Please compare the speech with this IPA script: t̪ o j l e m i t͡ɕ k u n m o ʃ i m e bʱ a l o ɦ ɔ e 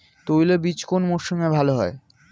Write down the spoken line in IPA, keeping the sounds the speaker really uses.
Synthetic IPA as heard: t̪ o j l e b i t͡ɕ k o n m o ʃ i m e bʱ a l o ɦ ɔ e